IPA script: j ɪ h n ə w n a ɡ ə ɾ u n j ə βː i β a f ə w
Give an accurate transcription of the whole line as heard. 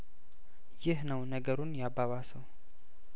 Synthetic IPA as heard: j ɪ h n ə w n ə ɡ ə ɾ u n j a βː a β a s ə w